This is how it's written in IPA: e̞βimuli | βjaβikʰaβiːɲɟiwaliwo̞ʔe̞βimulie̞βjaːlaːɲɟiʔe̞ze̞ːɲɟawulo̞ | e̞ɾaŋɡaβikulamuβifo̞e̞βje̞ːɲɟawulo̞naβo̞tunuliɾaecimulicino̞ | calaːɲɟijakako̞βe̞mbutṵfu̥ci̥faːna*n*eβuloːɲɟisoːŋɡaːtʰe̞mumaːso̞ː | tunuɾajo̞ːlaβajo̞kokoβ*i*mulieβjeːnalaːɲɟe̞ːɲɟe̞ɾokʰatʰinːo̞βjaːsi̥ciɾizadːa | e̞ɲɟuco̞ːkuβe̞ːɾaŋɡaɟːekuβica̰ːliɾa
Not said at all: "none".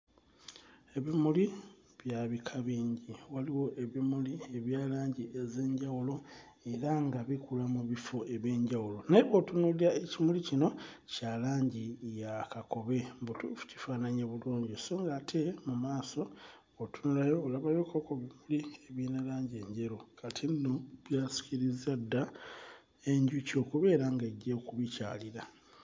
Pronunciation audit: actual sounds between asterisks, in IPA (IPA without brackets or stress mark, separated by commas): ɲ, i